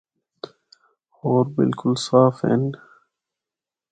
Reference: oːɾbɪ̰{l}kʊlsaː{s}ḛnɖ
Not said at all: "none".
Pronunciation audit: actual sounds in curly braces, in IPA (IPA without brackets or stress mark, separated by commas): l, f